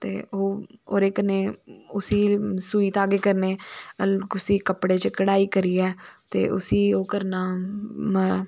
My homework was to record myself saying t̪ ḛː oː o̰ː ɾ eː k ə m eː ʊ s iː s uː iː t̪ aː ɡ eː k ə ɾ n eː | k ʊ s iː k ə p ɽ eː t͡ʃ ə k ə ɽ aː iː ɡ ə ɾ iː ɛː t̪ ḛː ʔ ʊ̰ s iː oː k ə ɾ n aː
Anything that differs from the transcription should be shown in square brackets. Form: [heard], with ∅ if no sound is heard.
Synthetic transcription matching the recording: t̪ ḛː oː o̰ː ɾ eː k ə [n] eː ʊ s iː s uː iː t̪ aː ɡ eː k ə ɾ n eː | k ʊ s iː k ə p ɽ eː t͡ʃ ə k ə ɽ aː iː [k] ə ɾ iː ɛː t̪ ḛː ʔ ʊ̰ s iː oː k ə ɾ n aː